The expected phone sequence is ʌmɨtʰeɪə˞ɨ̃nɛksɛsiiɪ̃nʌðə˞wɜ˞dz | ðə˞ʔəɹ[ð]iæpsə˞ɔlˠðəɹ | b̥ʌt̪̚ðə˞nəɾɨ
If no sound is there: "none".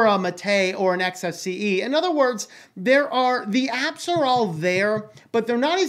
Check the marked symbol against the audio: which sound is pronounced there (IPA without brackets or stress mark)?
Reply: ð